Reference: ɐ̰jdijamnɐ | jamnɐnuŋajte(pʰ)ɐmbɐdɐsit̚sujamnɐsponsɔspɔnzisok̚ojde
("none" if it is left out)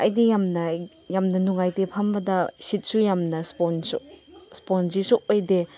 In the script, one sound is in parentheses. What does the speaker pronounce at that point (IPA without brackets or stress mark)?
pʰ